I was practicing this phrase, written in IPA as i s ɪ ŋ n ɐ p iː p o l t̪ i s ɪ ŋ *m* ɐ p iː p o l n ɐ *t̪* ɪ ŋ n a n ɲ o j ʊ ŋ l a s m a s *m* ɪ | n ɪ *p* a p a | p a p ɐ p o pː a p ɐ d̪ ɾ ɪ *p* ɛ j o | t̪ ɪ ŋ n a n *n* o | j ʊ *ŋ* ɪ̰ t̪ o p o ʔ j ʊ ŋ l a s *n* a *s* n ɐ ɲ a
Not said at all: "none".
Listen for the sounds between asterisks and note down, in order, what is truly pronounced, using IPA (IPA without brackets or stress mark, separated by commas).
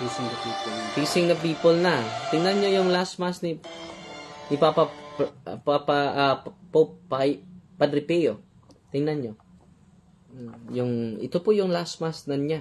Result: n, t̪, n, p, p, ɲ, ŋ, m, s